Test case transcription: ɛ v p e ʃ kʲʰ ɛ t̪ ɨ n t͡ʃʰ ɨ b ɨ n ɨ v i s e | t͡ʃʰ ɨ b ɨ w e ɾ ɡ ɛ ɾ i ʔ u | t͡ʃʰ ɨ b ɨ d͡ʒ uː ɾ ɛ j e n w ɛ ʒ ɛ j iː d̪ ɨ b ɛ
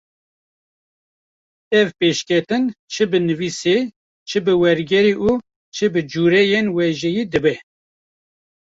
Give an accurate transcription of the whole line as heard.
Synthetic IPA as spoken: ɛ v p e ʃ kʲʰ ɛ t̪ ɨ n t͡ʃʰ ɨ b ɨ n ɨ v i s e | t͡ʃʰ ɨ b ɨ w ɛ ɾ ɡ ɛ ɾ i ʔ u | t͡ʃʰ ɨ b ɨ d͡ʒ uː ɾ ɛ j e n w ɛ ʒ ɛ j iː d̪ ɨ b ɛ